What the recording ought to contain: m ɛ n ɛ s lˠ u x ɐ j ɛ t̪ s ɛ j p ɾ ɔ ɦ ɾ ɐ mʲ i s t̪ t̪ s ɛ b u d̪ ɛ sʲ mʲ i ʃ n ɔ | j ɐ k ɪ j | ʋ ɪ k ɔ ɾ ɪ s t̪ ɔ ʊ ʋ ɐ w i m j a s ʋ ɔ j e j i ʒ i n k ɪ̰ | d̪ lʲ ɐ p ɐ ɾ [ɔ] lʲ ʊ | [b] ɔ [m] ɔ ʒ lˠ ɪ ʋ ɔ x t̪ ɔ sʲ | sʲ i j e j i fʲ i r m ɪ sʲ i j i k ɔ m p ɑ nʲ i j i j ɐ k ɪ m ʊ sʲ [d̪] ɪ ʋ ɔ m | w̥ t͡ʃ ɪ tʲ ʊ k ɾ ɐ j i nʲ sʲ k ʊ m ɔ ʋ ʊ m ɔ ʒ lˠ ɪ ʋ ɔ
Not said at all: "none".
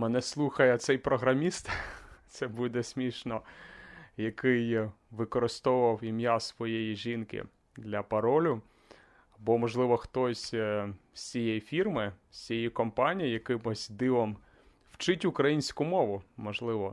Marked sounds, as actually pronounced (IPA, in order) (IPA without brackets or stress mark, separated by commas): ɔ, b, m, d̪